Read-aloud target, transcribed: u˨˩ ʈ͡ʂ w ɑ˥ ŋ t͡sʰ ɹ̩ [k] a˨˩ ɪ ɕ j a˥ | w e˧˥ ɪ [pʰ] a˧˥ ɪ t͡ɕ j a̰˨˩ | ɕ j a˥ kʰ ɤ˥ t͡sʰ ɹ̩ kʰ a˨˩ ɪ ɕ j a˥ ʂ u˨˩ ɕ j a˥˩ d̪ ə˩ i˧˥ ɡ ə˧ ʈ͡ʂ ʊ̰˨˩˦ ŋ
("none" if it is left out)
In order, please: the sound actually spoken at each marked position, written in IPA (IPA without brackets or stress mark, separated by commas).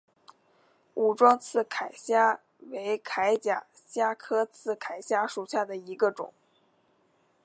kʰ, kʰ